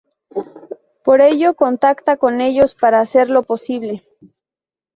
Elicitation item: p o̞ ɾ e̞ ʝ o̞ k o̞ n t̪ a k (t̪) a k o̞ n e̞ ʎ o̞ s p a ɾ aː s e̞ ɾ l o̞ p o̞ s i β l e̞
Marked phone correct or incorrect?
correct